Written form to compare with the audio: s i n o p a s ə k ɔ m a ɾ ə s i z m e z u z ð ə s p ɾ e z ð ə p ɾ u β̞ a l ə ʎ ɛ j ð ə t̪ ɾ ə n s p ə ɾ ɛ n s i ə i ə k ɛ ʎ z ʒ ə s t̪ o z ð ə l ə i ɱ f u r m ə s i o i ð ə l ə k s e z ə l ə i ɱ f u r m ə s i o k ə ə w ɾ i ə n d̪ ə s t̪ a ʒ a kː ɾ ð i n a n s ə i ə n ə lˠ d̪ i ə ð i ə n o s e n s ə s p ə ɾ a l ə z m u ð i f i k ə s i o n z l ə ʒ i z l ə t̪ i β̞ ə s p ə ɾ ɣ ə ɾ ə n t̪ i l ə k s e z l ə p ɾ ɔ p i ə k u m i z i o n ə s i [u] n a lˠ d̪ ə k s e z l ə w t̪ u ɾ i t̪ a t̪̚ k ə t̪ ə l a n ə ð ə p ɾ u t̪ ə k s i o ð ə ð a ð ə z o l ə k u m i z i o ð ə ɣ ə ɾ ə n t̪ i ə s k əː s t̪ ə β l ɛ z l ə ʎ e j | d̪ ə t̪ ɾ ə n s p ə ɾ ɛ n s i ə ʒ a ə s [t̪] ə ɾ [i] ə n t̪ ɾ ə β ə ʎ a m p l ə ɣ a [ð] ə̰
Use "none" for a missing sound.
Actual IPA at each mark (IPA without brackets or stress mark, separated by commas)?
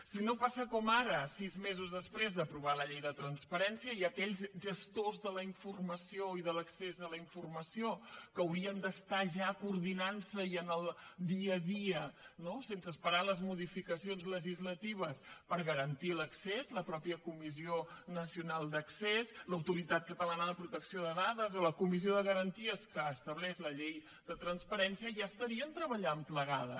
u, t̪, i, ð